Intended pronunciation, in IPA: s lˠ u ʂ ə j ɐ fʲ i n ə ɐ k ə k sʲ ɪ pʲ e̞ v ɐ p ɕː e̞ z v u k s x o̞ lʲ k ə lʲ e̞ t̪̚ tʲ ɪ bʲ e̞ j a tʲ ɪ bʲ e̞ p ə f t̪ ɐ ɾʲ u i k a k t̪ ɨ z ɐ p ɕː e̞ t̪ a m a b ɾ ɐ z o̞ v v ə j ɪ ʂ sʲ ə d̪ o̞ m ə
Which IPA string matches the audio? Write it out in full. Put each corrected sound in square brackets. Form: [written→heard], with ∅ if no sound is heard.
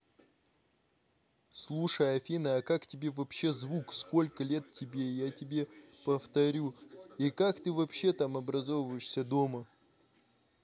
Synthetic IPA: s lˠ u ʂ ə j ɐ fʲ i n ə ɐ k [ə→a] k [sʲ→tʲ] ɪ [pʲ→bʲ] e̞ v ɐ p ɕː e̞ z v u k s [x→k] o̞ lʲ k ə lʲ e̞ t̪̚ tʲ ɪ bʲ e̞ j a tʲ ɪ bʲ e̞ p ə f t̪ ɐ ɾʲ u i k a k t̪ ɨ [z→v] ɐ p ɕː e̞ t̪ a m [a→ɐ] b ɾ ɐ z o̞ v v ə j ɪ ʂ sʲ ə d̪ o̞ m ə